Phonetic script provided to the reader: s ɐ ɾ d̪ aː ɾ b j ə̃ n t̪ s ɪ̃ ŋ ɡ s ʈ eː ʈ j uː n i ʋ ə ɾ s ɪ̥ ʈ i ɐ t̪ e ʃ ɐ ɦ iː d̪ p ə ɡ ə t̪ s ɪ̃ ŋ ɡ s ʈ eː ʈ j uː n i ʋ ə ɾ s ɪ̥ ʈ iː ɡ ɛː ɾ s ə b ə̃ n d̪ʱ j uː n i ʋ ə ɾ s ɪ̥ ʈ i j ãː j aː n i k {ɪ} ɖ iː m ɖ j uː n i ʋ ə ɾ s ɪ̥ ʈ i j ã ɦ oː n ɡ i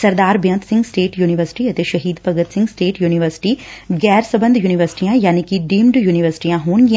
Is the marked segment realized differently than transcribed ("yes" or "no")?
yes